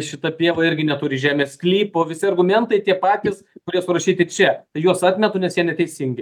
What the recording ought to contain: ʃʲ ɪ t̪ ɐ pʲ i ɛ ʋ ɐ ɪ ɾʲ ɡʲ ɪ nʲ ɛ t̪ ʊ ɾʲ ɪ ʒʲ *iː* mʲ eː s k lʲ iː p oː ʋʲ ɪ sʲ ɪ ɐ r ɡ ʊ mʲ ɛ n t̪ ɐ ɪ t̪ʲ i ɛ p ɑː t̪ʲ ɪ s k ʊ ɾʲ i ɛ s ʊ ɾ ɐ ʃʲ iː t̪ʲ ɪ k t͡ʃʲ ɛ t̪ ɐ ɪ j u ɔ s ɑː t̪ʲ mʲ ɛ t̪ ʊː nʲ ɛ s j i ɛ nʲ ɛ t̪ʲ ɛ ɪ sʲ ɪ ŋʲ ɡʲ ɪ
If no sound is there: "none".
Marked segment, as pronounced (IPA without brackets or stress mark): æː